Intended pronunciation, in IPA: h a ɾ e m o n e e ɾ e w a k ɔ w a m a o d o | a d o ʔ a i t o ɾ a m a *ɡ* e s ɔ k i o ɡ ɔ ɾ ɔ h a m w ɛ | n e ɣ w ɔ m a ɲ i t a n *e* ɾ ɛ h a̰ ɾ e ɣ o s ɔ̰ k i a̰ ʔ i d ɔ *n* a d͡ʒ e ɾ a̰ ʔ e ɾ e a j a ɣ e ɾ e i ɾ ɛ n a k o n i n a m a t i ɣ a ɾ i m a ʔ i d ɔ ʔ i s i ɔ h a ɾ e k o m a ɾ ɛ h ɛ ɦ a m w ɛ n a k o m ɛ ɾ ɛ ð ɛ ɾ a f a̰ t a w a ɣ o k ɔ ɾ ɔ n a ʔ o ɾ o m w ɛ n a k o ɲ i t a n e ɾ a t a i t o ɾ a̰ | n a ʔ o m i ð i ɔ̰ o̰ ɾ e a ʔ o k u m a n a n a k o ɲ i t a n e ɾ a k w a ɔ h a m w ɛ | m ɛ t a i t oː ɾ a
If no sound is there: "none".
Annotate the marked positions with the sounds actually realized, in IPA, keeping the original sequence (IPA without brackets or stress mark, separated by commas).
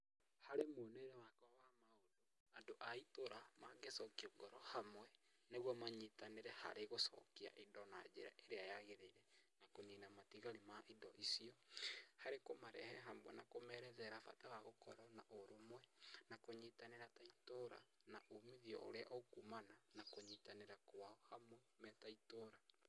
ɡ, e, n